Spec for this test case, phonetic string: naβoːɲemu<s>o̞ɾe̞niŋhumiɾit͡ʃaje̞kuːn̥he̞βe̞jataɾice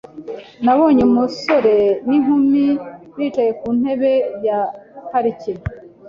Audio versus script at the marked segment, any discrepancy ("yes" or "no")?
no